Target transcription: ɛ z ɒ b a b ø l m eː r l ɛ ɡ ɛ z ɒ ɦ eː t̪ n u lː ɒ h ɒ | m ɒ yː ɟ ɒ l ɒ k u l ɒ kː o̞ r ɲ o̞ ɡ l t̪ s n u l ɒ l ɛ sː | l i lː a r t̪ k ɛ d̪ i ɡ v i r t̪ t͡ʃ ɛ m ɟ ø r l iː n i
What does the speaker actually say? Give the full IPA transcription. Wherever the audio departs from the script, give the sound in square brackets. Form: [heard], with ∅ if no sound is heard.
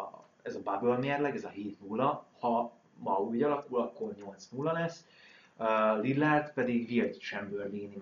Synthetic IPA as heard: ɛ z ɒ b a b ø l m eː r l ɛ ɡ ɛ z ɒ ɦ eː t̪ n u lː ɒ h ɒ | m ɒ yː ɟ ɒ l ɒ k u l ɒ kː o̞ r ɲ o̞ [∅] l t̪ s n u [lː] ɒ l ɛ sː | l i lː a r t̪ [p] ɛ d̪ i ɡ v i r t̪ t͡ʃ ɛ m [b] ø r l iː n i